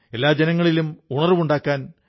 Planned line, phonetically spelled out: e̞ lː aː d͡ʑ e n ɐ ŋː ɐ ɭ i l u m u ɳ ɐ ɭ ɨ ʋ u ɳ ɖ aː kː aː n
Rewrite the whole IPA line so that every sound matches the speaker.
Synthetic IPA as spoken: e̞ lː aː d͡ʑ e n ɐ ŋː ɐ ɭ i l u m u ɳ ɐ r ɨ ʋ u ɳ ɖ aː kː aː n